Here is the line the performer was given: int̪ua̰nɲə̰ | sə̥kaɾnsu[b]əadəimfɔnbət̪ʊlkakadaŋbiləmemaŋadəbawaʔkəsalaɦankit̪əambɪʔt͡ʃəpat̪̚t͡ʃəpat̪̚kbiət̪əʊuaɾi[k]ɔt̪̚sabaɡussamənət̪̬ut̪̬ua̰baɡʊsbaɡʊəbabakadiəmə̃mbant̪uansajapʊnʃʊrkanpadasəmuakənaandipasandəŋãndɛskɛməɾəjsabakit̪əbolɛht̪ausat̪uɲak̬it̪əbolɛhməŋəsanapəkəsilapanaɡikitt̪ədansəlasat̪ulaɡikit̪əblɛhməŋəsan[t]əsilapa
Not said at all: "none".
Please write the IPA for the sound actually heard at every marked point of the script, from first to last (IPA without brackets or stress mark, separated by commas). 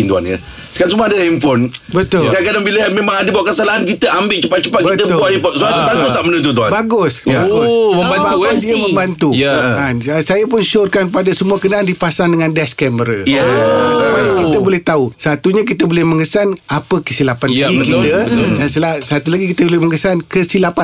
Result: m, p, k